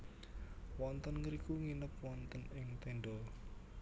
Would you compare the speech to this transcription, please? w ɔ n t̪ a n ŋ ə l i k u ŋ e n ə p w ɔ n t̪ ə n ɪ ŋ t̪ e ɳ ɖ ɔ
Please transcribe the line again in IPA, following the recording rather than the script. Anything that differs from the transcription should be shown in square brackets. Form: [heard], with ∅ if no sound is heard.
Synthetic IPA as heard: w ɔ n t̪ [ə] n ŋ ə [ɾ] i k u ŋ [i] n ə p w ɔ n t̪ ə n ɪ ŋ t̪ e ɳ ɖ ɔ